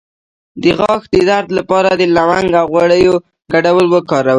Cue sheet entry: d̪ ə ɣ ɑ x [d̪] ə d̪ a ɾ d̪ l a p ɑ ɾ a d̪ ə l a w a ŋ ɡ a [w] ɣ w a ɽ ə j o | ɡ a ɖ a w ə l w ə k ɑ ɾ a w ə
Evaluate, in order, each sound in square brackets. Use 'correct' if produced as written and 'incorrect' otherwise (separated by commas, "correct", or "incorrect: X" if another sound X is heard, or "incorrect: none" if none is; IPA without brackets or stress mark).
correct, correct